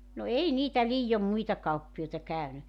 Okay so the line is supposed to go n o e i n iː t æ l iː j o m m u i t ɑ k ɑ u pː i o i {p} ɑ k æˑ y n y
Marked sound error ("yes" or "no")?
yes